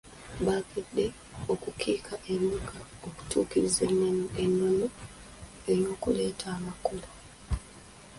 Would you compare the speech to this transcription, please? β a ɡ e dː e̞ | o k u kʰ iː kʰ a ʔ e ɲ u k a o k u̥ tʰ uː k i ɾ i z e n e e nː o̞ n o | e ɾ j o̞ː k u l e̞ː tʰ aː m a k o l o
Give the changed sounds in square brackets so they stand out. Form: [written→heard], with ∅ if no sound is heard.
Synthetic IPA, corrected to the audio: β a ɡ e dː e̞ | o k u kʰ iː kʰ a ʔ e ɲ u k a o k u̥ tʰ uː k i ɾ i z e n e e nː o̞ n o | e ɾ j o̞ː k u l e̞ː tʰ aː m a k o l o

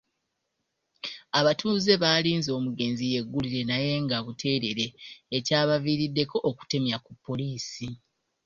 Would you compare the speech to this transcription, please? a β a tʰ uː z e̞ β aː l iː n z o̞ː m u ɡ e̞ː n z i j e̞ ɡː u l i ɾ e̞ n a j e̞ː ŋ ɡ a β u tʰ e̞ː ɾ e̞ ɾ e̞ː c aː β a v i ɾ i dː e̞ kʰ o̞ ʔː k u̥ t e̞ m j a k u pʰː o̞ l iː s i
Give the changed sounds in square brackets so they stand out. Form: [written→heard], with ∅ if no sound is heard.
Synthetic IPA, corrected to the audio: a β a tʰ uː z e̞ β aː l iː n z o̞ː m u ɡ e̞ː n z i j e̞ ɡː u l i ɾ e̞ n a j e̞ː ŋ ɡ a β u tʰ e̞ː ɾ e̞ ɾ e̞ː c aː β a v i ɾ i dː e̞ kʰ o̞ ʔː k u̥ t e̞ m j a k u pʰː o̞ l iː s i

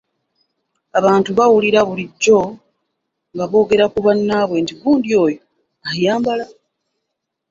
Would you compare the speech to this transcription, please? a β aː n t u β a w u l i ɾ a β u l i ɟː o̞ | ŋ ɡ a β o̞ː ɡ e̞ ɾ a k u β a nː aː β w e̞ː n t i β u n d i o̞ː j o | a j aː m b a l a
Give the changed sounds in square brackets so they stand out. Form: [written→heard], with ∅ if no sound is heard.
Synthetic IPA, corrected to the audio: a β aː n t u β a w u l i ɾ a β u l i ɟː o̞ | ŋ ɡ a β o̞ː ɡ e̞ ɾ a k u β a nː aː β w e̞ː n t i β [u→uː] n d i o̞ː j o | a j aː m b a l a

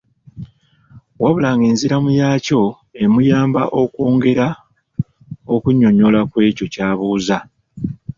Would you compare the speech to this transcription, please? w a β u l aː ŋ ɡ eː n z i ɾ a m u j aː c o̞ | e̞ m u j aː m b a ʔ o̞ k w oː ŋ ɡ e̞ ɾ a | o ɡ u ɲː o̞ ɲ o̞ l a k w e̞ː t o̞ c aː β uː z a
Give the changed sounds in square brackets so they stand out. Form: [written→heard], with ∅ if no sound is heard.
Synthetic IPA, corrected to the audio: w a β u l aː ŋ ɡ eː n z i ɾ a m u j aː c o̞ | e̞ m u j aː m b a ʔ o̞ k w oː ŋ ɡ e̞ ɾ a | o [ɡ→k] u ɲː o̞ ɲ o̞ l a k w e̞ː [t→c] o̞ c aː β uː z a

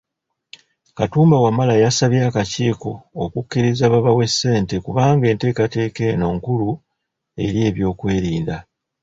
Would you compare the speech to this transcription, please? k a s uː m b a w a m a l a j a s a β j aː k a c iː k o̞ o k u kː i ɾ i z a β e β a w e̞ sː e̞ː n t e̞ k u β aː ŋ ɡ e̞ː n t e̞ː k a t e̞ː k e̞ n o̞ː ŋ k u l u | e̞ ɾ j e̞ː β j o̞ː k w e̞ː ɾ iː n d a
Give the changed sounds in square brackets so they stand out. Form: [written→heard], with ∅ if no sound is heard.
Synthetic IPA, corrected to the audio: k a [s→t] uː m b a w a m a l a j a s a β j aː k a c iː k o̞ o k u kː i ɾ i z a β [e→a] β a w e̞ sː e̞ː n t e̞ k u β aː ŋ ɡ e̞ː n t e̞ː k a t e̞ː k e̞ n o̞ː ŋ k u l u | e̞ ɾ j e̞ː β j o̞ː k w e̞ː ɾ iː n d a

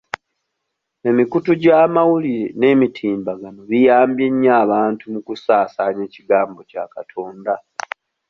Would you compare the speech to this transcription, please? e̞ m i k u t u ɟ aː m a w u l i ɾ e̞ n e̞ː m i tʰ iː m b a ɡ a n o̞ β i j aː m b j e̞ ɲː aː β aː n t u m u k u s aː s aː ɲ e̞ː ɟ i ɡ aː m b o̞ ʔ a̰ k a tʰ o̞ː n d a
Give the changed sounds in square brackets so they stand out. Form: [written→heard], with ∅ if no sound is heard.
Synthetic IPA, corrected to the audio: e̞ m i k u t u ɟ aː m a w u l i ɾ e̞ n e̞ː m i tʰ iː m b a ɡ a n o̞ β i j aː m b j e̞ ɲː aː β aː n t u m u k u s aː s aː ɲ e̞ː [ɟ→c] i ɡ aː m b o̞ [ʔ→c] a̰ k a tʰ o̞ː n d a

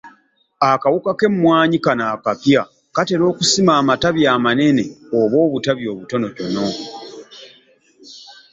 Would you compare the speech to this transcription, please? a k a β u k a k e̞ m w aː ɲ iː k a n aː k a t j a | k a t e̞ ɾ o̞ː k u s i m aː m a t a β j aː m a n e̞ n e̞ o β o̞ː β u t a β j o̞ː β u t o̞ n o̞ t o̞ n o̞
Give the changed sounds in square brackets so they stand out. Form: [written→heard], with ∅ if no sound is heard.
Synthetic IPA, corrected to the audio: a k a [β→w] u k a k e̞ m w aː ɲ [iː→i] k a n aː k a [t→p] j a | k a t e̞ ɾ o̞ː k u s i m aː m a t a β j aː m a n e̞ n e̞ o β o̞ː β u t a β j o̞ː β u t o̞ n o̞ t o̞ n o̞

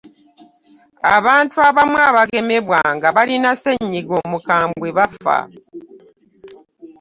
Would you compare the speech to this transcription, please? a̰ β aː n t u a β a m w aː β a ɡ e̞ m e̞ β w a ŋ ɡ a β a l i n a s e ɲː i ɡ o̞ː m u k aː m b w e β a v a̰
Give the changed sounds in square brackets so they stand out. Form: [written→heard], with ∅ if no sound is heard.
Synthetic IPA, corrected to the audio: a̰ β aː n t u a β a m w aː β a ɡ e̞ m e̞ β w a ŋ ɡ a β a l i n a s e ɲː i ɡ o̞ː m u k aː m b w e β a [v→f] a̰

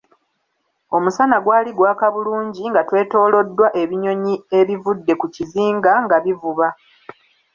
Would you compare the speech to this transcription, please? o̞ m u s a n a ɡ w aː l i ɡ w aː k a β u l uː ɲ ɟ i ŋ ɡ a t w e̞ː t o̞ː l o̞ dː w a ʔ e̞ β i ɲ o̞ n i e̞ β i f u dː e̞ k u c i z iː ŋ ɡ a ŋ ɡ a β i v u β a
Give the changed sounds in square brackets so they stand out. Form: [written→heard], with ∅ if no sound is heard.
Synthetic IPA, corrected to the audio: o̞ m u s a n a ɡ w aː l i ɡ w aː k a β u l uː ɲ ɟ i ŋ ɡ a t w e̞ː t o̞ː l o̞ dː w a ʔ e̞ β i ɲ o̞ [n→ɲ] i e̞ β i [f→v] u dː e̞ k u c i z iː ŋ ɡ a ŋ ɡ a β i v u β a

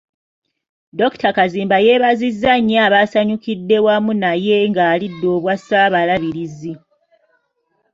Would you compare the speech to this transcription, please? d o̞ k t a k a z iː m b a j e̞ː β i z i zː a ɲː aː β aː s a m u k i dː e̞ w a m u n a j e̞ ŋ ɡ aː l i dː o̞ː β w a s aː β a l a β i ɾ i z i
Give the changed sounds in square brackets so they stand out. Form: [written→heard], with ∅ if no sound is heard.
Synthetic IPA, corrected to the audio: d o̞ k t a k a z iː m b a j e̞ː β [i→a] z i zː a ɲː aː β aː s a [m→ɲ] u k i dː e̞ w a m u n a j e̞ ŋ ɡ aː l i dː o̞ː β w a s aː β a l a β i ɾ i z i

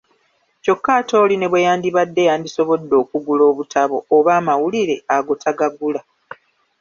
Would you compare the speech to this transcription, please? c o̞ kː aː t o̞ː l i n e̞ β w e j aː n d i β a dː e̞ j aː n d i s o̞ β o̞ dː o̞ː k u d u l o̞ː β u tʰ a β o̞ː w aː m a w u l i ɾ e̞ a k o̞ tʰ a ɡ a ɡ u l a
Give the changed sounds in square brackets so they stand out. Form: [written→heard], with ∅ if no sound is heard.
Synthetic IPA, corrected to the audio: c o̞ kː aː t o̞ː l i n e̞ β w e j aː n d i β a dː e̞ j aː n d i s o̞ β o̞ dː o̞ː k u [d→ɡ] u l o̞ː β u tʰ a β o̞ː [w→β] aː m a w u l i ɾ e̞ a [k→ɡ] o̞ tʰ a ɡ a ɡ u l a

